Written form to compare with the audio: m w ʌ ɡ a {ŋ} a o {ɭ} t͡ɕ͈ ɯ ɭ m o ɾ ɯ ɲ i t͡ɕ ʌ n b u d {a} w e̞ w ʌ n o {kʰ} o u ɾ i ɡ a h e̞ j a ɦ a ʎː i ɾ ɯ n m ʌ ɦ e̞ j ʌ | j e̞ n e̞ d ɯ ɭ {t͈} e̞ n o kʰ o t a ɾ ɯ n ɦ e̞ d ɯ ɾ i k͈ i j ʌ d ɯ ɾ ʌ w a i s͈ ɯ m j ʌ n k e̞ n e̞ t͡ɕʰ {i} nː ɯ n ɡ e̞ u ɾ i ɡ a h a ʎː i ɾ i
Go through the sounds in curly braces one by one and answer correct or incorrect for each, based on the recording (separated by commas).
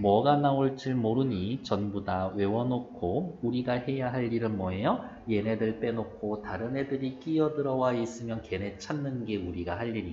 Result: incorrect, correct, correct, correct, incorrect, incorrect